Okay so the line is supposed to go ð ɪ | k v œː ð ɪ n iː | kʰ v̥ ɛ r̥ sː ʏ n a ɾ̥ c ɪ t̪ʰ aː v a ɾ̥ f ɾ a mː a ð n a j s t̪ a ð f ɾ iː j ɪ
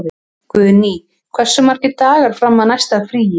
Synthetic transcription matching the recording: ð ɪ | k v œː ð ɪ n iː | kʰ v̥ ɛ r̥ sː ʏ m a ɾ̥ c ɪ t̪ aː ɣ a ɾ̥ f ɾ a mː a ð n a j s t̪ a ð f ɾ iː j ɪ